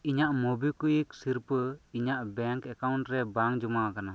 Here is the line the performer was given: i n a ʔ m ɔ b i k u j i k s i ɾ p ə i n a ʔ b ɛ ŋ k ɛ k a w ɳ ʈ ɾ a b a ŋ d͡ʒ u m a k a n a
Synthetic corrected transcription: i ɲ a ʔ m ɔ b i k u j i k s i ɾ p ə i ɲ a ʔ b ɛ ŋ k ɛ k a w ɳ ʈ ɾ ɛ b a ŋ d͡ʒ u m a k a n a